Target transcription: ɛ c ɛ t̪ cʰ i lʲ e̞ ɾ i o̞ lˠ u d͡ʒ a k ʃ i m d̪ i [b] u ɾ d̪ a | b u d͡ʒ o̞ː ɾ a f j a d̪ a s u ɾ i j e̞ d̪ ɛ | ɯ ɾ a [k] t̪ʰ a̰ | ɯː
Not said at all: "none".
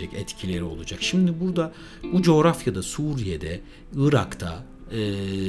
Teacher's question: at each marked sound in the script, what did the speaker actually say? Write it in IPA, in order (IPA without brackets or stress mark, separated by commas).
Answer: b, k